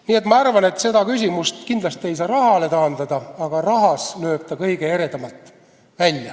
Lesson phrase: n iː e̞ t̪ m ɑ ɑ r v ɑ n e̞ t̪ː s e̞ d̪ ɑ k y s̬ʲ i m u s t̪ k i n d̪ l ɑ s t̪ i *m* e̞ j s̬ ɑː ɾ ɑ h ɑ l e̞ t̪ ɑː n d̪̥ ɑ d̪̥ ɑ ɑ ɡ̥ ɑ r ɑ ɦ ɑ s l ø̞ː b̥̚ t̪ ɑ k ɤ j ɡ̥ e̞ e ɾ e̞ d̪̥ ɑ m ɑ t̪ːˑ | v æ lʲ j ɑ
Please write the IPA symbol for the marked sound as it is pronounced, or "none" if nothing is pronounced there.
none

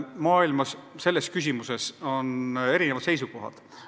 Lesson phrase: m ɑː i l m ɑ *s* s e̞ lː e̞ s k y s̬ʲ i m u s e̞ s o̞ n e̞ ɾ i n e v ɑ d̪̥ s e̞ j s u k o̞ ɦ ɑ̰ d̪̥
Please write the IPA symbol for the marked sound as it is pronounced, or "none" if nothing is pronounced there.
s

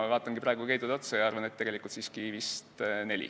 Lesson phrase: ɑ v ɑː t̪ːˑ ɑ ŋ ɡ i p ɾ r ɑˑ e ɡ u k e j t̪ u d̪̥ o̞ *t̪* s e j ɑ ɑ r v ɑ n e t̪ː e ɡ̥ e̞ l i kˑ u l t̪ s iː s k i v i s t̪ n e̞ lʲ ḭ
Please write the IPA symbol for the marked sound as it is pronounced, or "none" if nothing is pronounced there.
t̪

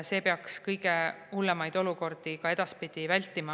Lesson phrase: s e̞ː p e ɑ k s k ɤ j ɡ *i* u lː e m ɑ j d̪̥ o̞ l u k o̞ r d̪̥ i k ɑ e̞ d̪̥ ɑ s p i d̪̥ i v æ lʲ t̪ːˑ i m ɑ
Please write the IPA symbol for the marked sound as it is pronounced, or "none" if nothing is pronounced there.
e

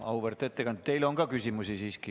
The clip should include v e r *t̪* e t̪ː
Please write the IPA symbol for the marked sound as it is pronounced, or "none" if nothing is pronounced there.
t̪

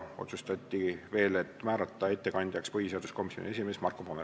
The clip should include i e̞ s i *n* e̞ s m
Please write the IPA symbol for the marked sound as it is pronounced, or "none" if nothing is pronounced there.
m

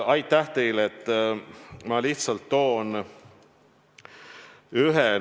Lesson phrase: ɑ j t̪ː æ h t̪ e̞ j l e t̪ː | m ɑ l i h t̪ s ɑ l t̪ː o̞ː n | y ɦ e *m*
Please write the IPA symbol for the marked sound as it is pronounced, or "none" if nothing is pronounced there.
none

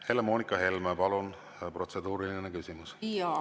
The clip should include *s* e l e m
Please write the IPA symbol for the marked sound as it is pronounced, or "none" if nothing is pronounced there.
h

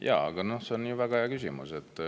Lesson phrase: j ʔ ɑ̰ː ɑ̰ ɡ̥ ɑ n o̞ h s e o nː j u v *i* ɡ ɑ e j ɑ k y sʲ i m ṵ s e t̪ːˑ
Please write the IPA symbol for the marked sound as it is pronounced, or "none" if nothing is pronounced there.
æ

